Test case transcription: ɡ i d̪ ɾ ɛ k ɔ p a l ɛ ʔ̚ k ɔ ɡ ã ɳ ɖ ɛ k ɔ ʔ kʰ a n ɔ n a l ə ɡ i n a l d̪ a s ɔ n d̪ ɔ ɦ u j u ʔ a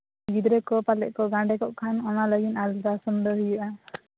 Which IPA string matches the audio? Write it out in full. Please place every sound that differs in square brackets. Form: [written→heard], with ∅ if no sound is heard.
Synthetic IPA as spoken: ɡ i d̪ ɾ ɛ k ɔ p a l ɛ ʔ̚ k ɔ ɡ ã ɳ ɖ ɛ k ɔ ʔ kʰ a n ɔ n a l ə ɡ i n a l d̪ a s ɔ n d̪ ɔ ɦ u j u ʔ a